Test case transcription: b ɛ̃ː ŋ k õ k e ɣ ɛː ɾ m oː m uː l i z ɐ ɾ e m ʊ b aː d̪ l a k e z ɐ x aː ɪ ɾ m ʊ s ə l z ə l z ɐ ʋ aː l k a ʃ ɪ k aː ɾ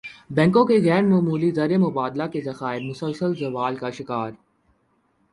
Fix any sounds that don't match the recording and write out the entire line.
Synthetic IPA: b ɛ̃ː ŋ k õ k e ɣ ɛː ɾ m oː m uː l i z ɐ ɾ e m ʊ b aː d̪ l a k e z ɐ x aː ɪ ɾ m ʊ s ə l s ə l z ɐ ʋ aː l k a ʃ ɪ k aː ɾ